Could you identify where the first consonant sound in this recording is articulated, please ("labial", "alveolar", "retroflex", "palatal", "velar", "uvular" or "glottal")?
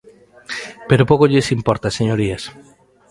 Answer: labial